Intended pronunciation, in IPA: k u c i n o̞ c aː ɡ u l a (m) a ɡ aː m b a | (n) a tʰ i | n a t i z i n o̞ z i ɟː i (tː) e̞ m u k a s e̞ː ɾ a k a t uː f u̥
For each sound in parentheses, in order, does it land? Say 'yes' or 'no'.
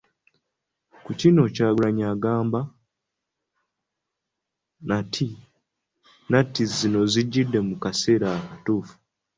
no, yes, no

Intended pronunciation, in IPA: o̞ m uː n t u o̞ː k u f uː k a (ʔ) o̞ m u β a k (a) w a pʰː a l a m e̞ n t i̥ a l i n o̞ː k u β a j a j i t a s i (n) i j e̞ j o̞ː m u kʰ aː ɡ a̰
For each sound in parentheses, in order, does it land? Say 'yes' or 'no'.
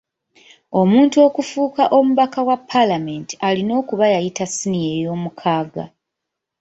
yes, yes, yes

